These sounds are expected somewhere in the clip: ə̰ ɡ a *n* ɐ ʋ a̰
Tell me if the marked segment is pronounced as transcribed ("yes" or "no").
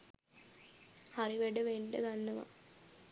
no